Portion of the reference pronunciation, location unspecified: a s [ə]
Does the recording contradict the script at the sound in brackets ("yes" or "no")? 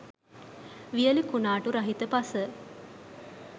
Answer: no